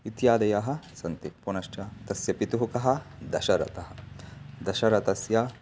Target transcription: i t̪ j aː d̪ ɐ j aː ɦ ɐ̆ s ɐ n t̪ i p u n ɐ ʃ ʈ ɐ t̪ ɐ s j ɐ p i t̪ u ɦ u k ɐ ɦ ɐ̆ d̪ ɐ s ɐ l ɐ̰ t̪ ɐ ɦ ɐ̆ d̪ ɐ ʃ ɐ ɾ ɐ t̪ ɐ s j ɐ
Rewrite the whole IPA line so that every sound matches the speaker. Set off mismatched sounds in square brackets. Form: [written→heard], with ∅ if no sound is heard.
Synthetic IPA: i t̪ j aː d̪ ɐ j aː ɦ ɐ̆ s ɐ n t̪ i p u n ɐ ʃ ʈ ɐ t̪ ɐ s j ɐ p i t̪ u ɦ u k ɐ ɦ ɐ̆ d̪ ɐ [s→ʃ] ɐ [l→ɾ] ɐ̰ t̪ ɐ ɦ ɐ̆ d̪ ɐ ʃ ɐ ɾ ɐ t̪ ɐ s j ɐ